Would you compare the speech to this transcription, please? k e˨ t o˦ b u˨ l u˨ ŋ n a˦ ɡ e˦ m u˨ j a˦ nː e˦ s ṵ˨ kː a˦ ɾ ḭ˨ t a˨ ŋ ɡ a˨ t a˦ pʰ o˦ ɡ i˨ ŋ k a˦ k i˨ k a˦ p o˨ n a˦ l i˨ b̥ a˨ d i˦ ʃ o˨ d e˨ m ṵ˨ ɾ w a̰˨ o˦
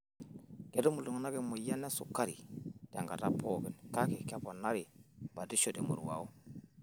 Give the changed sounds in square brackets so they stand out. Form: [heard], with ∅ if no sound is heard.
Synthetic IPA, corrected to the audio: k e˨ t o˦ [m] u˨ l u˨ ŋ n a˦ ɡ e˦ m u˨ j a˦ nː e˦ s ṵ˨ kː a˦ ɾ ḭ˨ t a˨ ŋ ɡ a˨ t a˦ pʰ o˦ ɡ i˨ [n] k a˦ k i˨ k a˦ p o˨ n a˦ [ɾ] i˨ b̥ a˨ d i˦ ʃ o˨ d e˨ m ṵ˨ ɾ w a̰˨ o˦